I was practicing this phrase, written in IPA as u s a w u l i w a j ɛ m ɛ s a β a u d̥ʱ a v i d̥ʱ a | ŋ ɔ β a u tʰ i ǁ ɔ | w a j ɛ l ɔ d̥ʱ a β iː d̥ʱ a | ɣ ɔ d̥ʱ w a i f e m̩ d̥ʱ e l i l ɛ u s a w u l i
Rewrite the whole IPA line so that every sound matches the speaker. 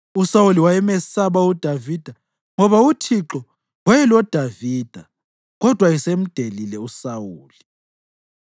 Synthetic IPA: u s a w u l i w a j ɛ m ɛ s a β a u d̥ʱ a v i d̥ʱ a | ŋ ɔ β a u tʰ i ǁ ɔ | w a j ɛ l ɔ d̥ʱ a v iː d̥ʱ a | ɣ ɔ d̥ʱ w a i s e m̩ d̥ʱ e l i l ɛ u s a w uː l i